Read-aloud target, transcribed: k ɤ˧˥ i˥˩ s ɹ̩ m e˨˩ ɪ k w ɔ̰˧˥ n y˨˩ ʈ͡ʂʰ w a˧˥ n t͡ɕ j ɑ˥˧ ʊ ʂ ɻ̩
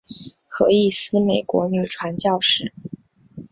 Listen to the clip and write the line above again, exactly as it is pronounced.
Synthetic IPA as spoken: x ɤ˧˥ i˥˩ s ɹ̩ m e˨˩ ɪ k w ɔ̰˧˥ n y˨˩ ʈ͡ʂʰ w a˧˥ n t͡ɕ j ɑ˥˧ ʊ ʂ ɻ̩